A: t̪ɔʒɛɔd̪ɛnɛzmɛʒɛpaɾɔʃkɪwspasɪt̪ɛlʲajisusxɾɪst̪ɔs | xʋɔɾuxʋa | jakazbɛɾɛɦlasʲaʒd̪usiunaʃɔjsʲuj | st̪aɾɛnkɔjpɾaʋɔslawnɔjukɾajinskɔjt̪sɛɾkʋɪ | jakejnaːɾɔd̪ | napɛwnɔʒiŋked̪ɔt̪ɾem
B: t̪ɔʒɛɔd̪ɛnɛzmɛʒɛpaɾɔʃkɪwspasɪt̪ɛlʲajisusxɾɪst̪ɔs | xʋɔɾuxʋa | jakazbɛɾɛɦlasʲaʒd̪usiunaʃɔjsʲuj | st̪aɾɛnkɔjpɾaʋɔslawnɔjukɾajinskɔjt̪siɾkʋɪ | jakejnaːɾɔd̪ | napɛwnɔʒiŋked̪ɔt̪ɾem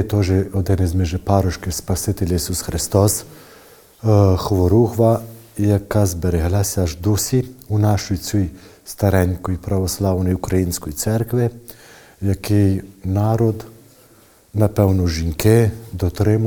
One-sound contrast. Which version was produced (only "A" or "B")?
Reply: A